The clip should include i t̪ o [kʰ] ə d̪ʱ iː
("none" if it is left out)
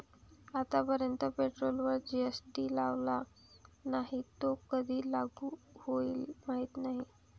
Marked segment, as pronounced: k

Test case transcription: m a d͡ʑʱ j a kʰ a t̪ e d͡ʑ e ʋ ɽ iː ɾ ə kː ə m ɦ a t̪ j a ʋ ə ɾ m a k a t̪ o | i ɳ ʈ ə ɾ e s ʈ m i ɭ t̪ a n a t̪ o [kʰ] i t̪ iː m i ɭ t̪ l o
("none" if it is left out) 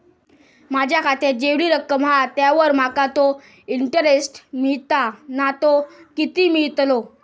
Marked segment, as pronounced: k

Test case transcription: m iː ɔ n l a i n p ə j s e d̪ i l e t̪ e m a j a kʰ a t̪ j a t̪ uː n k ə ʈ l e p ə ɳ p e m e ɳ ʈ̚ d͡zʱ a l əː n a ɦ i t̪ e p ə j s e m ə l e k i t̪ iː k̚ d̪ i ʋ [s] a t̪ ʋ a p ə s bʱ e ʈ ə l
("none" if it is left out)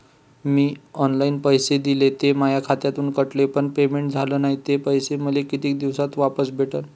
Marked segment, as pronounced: s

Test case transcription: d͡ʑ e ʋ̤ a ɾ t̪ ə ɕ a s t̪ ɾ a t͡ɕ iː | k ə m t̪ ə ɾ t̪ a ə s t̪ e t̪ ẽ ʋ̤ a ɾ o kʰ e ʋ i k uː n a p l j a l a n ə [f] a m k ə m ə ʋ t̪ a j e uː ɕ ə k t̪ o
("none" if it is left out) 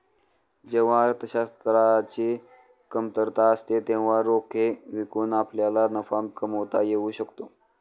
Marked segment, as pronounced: f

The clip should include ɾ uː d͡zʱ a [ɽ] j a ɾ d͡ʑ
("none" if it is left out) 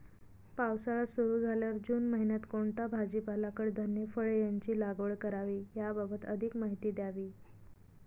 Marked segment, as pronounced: l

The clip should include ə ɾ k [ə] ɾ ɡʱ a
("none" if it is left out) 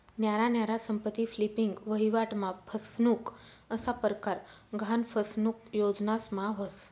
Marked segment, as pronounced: a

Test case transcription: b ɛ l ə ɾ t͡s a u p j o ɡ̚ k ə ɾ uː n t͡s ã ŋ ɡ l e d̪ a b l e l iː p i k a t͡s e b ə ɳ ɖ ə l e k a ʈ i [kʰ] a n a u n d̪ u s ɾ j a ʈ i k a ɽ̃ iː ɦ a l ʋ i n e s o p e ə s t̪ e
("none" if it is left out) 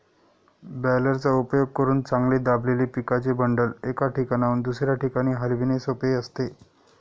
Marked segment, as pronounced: k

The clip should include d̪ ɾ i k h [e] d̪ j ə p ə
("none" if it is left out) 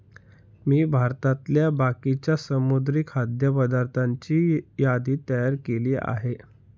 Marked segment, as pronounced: a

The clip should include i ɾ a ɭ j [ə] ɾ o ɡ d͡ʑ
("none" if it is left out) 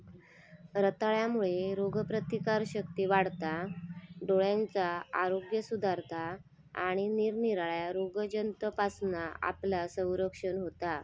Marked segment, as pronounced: a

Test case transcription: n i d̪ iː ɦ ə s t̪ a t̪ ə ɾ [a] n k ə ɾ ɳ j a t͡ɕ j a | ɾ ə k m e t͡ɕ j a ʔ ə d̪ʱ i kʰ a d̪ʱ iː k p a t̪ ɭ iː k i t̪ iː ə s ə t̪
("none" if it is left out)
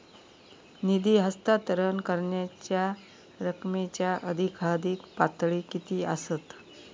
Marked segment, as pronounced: ə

